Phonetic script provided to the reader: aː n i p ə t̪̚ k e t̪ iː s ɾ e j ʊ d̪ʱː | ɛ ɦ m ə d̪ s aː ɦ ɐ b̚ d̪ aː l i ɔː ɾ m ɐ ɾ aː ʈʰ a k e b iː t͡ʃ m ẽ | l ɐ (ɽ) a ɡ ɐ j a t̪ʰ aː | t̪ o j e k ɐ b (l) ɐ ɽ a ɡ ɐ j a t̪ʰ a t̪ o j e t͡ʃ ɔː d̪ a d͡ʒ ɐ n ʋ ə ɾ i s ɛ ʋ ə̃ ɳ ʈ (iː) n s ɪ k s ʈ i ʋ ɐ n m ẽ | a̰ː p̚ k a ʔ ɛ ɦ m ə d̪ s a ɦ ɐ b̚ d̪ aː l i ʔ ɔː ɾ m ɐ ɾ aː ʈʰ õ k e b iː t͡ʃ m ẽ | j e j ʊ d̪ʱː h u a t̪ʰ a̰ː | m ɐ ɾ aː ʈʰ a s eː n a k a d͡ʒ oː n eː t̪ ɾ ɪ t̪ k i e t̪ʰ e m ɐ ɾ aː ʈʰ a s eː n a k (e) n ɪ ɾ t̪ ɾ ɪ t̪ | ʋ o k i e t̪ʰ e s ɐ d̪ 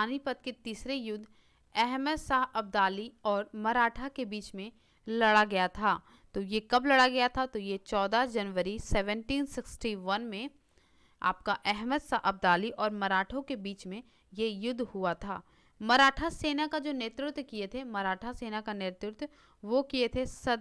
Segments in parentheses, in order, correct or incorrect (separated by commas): correct, correct, correct, incorrect